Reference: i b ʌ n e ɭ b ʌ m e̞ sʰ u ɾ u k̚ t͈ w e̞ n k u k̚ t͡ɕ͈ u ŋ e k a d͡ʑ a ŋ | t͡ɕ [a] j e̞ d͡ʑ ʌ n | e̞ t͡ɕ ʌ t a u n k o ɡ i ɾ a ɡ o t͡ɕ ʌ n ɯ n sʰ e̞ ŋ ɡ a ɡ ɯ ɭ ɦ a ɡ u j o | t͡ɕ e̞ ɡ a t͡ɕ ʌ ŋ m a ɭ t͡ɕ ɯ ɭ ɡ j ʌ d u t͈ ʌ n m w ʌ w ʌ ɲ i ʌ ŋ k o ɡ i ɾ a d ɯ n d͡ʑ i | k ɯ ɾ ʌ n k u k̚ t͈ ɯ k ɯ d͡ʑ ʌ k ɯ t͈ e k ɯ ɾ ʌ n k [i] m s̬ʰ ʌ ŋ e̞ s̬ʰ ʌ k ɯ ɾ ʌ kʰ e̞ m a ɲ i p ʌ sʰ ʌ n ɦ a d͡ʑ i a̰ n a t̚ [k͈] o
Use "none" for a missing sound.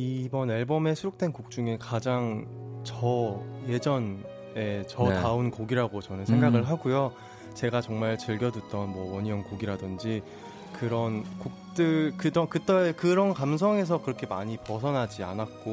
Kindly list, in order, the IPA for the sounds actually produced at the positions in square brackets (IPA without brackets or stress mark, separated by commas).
ʌ, a, k͈